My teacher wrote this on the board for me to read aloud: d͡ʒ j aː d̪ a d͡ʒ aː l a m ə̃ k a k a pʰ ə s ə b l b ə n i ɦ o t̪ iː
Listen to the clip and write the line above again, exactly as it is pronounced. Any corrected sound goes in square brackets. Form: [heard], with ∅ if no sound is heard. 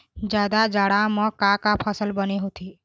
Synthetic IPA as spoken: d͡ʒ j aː d̪ a d͡ʒ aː [ɽ] a m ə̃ k a k a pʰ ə s ə [∅] l b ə n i ɦ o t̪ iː